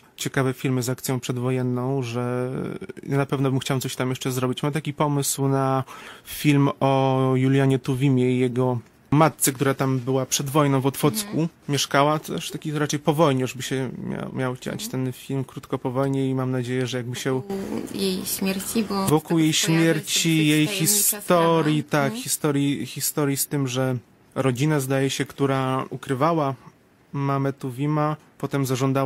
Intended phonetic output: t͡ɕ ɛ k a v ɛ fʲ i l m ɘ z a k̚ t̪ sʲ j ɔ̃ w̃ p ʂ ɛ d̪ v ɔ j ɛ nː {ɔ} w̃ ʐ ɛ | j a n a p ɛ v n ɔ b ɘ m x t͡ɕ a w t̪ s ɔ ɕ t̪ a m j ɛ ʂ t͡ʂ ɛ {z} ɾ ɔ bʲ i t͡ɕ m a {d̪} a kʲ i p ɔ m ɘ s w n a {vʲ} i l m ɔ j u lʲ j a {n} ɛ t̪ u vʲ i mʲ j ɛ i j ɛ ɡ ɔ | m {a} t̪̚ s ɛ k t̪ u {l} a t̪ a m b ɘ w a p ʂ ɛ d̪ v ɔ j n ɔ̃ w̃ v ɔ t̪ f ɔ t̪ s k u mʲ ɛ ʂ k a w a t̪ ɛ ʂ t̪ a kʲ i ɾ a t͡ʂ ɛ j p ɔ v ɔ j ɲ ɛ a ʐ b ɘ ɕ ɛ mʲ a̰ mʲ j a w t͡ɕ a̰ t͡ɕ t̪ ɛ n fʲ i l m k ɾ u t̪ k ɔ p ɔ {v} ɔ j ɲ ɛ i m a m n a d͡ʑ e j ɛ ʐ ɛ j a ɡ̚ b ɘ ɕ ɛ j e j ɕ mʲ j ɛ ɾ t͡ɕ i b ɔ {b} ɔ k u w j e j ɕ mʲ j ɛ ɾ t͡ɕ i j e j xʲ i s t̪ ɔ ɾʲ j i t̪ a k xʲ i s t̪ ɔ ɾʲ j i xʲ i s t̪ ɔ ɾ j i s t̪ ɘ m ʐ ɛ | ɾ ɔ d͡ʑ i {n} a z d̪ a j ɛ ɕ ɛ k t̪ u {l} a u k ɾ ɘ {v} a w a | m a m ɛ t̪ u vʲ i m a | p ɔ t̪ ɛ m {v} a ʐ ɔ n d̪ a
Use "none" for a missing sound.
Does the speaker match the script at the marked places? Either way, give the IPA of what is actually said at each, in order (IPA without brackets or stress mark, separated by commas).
ɔ̃, z, t̪, fʲ, ɲ, a, ɾ, v, v, n, ɾ, v, z